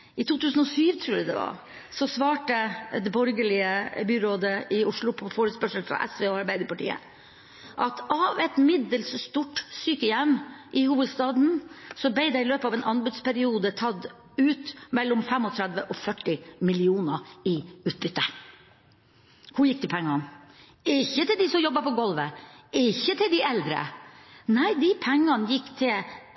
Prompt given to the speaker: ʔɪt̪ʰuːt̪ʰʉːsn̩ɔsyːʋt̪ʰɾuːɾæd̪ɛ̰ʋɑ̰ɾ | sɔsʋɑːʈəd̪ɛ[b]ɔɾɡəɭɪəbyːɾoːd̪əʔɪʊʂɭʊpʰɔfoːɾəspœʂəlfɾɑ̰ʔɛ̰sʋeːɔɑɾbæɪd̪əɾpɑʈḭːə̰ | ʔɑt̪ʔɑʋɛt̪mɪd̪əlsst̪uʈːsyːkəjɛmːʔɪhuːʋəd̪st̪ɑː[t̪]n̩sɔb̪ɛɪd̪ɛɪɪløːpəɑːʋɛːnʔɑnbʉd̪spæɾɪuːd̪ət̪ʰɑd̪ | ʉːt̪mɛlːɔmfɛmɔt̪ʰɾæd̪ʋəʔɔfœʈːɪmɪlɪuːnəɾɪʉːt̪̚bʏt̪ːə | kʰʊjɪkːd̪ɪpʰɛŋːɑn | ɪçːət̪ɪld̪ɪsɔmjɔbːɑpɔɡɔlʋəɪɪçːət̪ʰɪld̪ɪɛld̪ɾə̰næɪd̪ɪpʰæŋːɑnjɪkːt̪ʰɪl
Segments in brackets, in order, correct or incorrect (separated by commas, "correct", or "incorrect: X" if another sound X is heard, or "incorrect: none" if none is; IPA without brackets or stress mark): correct, incorrect: d̪